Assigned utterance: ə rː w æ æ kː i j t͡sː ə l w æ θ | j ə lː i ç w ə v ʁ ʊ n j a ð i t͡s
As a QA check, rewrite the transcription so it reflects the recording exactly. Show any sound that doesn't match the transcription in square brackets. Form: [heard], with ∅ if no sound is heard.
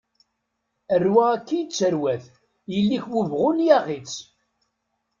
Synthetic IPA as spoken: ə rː w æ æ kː i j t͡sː ə [ɾ] w æ θ | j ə lː i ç w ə v ʁ ʊ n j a [ʁ] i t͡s